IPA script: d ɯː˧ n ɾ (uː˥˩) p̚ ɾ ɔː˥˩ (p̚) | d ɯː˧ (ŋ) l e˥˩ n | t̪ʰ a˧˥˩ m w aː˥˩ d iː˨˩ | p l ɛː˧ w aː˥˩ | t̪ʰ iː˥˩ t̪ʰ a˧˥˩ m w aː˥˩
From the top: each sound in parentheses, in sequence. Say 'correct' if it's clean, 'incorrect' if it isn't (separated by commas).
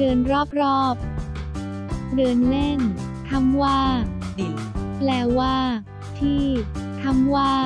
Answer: incorrect, correct, incorrect